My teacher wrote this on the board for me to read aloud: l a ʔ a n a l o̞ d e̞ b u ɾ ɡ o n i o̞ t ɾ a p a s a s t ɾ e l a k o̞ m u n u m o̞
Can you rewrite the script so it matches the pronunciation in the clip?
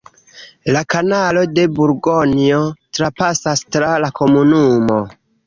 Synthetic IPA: l a k a n a l o̞ d e̞ b u ɾ ɡ o n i o̞ t ɾ a p a s a s t ɾ a l a k o̞ m u n u m o̞